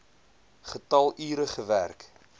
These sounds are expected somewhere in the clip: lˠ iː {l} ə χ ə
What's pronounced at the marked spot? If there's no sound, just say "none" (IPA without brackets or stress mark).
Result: ɾ